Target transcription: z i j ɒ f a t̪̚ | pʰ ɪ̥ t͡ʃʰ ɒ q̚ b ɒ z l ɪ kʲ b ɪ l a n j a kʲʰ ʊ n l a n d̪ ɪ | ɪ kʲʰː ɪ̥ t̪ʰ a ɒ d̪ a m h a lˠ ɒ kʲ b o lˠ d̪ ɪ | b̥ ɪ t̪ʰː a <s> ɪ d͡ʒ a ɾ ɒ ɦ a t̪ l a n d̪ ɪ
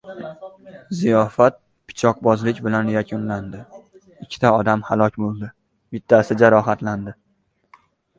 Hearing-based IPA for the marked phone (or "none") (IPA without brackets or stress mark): s